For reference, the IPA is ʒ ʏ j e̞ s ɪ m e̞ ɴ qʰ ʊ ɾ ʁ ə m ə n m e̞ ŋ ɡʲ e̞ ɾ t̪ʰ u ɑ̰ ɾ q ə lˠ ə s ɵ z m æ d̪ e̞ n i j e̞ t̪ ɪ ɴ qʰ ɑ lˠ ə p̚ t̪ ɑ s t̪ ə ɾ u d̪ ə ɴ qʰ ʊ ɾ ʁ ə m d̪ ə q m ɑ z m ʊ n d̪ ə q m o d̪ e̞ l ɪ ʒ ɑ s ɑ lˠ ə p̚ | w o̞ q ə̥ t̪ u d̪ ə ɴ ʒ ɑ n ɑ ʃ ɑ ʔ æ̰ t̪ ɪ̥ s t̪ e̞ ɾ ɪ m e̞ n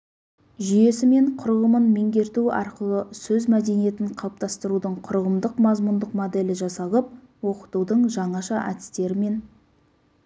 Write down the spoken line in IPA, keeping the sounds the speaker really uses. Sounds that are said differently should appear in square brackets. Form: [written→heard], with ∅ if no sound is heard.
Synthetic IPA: ʒ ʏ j e̞ s ɪ m e̞ ɴ qʰ ʊ ɾ ʁ ə m ə n m e̞ ŋ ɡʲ e̞ ɾ [t̪ʰ→t̪] u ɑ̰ ɾ q ə lˠ ə s ɵ z m æ d̪ e̞ n i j e̞ t̪ ɪ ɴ qʰ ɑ lˠ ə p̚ t̪ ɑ s t̪ ə ɾ u d̪ ə ɴ qʰ ʊ ɾ ʁ ə m d̪ ə q m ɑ z m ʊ n d̪ ə q m o d̪ e̞ l ɪ ʒ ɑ s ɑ lˠ ə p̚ | w o̞ q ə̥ t̪ u d̪ ə ɴ ʒ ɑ [n→ɴ] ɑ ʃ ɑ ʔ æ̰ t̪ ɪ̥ s t̪ e̞ ɾ ɪ m e̞ n